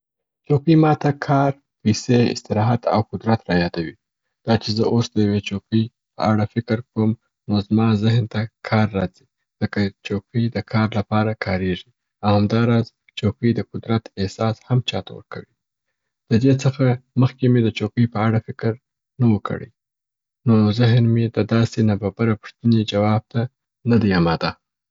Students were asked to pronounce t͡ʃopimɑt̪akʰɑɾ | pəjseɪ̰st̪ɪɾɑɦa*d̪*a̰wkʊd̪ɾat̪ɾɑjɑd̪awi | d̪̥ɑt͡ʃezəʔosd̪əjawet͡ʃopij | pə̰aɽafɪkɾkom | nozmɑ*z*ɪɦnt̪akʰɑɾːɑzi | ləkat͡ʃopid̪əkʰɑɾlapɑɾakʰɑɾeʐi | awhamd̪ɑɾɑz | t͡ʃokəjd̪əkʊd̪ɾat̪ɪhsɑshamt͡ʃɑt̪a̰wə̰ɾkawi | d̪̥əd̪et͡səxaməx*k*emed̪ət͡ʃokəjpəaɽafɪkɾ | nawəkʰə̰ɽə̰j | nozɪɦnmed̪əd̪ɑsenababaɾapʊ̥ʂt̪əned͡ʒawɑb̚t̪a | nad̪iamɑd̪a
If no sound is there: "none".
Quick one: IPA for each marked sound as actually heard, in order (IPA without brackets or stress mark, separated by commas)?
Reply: t̪, z, k